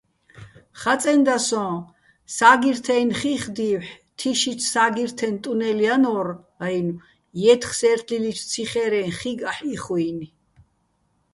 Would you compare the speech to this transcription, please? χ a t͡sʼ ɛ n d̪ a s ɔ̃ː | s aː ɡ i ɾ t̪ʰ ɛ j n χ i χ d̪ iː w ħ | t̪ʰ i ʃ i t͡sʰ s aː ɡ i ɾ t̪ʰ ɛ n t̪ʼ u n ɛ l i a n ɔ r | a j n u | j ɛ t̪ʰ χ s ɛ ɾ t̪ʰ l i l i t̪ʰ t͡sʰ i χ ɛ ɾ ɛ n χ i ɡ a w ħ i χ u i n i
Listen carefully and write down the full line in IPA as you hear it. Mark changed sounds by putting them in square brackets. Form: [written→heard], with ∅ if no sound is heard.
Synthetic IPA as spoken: χ a t͡sʼ ɛ n d̪ a s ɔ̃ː | s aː ɡ i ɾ t̪ʰ ɛ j n χ i χ d̪ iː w ħ | t̪ʰ i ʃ i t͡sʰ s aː ɡ i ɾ t̪ʰ ɛ n t̪ʼ u n ɛ l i a n ɔ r | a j n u | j ɛ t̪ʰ χ s ɛ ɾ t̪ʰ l i l i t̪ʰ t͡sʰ i χ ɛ ɾ ɛ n χ i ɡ a [w→∅] ħ i χ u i n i